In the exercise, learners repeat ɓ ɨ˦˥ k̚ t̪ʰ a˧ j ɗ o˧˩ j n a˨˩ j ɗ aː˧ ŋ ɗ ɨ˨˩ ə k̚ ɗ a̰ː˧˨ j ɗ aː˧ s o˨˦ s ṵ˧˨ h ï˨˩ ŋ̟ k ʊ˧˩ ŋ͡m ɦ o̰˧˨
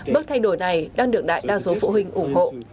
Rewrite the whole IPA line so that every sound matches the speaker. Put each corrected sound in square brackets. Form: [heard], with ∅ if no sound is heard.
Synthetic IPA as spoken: ɓ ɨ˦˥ k̚ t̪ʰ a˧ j ɗ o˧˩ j n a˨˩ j ɗ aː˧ ŋ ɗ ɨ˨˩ ə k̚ ɗ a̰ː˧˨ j ɗ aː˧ s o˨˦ [f] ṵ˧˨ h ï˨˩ ŋ̟ [ʔ] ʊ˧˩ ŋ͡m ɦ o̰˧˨